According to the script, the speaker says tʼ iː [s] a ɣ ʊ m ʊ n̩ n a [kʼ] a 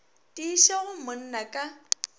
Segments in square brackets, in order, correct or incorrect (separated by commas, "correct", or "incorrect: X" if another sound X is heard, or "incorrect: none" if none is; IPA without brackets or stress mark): incorrect: ʃ, correct